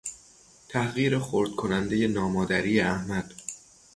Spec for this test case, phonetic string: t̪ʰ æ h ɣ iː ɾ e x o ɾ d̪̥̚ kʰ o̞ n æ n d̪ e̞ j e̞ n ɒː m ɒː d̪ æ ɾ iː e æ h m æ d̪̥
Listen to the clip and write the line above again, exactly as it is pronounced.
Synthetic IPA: t̪ʰ æ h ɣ iː ɾ e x o ɾ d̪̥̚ kʰ o̞ n æ n d̪ e̞ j e̞ n ɒː m ɒː d̪ æ ɾ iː e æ h m æ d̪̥